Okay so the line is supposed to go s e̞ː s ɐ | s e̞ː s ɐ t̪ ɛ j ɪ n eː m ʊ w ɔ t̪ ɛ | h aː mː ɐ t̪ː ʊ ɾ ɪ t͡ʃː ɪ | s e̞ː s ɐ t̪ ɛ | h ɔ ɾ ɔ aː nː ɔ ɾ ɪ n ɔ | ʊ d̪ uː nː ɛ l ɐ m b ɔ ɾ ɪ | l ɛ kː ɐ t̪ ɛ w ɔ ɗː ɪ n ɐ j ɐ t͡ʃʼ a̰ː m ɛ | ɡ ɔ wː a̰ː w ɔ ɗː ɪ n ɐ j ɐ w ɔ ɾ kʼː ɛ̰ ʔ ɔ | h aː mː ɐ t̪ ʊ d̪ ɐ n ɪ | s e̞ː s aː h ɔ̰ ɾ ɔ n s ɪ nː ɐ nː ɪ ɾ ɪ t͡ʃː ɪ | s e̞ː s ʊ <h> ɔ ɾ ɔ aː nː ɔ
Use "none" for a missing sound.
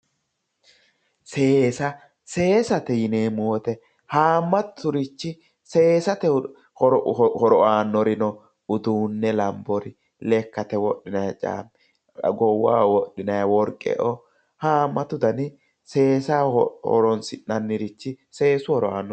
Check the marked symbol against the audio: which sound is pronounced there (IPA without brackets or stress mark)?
h